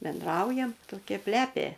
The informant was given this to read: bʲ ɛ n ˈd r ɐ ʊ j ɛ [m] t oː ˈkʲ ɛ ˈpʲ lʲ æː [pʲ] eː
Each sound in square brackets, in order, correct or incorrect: correct, correct

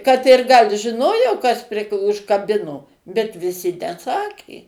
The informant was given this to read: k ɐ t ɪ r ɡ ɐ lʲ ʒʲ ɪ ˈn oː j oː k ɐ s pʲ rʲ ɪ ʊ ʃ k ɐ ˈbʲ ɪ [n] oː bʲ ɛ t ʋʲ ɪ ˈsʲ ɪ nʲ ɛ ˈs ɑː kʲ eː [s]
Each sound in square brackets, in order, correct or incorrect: correct, incorrect: none

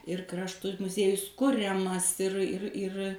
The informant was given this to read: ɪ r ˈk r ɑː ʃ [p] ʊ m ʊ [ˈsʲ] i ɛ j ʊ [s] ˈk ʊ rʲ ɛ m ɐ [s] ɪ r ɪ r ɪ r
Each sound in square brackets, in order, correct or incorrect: incorrect: t, incorrect: zʲ, correct, correct

